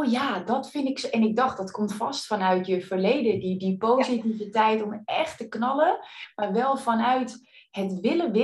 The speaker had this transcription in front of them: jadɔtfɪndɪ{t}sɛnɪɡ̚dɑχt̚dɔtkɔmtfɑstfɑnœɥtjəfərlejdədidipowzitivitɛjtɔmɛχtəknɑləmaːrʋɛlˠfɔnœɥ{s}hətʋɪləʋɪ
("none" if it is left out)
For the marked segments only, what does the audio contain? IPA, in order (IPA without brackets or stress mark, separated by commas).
k, t